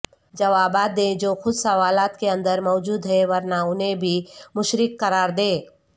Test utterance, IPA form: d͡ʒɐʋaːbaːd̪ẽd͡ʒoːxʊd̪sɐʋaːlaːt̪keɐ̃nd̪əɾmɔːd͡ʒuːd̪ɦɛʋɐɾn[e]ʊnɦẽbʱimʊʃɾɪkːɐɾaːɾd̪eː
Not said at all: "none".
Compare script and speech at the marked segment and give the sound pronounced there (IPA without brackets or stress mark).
a